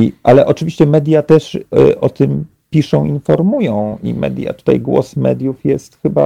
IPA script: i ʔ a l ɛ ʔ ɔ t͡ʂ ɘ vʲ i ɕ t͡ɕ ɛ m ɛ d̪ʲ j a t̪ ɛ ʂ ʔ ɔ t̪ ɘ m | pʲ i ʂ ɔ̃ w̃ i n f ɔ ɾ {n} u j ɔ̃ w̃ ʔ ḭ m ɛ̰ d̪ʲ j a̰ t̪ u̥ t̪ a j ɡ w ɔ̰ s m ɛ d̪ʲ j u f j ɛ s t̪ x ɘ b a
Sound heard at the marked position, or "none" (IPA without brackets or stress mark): m